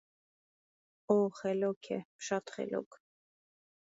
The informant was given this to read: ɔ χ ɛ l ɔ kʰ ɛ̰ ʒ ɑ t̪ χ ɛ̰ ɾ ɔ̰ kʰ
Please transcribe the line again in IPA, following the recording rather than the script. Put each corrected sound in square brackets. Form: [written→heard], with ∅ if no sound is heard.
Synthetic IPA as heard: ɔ χ ɛ l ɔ kʰ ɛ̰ [ʒ→ʃ] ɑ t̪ χ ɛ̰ [ɾ→l] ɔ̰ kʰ